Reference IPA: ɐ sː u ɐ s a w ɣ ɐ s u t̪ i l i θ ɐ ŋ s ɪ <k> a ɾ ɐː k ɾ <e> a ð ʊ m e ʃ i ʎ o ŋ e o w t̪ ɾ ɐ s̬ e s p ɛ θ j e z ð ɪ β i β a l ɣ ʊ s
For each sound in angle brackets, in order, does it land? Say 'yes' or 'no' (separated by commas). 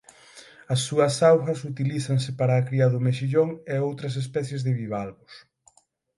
no, no